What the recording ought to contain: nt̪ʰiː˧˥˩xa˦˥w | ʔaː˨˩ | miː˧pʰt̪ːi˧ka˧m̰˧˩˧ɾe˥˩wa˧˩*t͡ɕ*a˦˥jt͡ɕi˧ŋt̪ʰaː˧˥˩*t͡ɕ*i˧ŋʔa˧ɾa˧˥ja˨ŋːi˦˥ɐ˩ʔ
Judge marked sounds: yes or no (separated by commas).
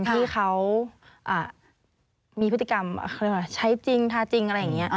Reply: no, yes